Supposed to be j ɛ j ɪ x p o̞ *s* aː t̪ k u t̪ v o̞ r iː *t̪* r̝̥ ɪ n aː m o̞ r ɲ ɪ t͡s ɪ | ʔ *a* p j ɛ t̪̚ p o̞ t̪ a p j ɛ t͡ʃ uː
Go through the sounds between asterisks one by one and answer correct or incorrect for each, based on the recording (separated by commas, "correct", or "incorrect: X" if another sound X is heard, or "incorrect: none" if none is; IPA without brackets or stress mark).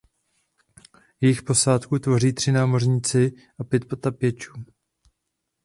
correct, correct, correct